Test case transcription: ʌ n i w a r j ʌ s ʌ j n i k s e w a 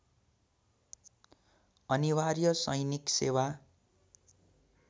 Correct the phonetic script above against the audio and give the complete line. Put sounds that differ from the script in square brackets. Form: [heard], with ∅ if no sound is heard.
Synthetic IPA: ʌ n i w a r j ʌ s ʌ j n i k s e w a